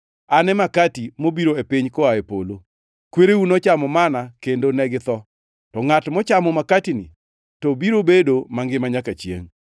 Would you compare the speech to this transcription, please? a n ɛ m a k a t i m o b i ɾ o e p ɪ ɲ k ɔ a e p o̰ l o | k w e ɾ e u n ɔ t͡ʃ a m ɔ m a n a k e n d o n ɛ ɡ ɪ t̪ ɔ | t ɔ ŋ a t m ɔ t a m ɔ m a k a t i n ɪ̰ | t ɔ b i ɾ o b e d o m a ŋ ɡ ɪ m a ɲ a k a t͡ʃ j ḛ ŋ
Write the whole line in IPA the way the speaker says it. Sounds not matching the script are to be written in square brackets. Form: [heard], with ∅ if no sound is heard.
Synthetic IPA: a n ɛ m a k a t i m o b i ɾ o e p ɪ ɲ k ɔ a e p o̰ l o | k w e ɾ e u n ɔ t͡ʃ a m ɔ m a n a k e n d o n ɛ ɡ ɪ t̪ ɔ | t ɔ ŋ a t m ɔ [t͡ʃ] a m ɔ m a k a t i n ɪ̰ | t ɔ b i ɾ o b e d o m a ŋ ɡ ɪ m a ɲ a k a t͡ʃ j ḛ ŋ